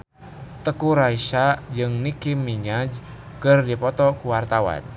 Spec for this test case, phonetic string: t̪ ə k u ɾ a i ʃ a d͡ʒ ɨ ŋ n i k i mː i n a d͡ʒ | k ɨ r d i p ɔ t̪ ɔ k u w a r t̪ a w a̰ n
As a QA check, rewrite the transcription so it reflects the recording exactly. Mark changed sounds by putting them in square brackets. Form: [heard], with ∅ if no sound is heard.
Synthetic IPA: t̪ ə k u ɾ a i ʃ a d͡ʒ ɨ ŋ n i k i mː i [ɲ] a d͡ʒ | k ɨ r d i p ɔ t̪ ɔ k u w a r t̪ a w a̰ n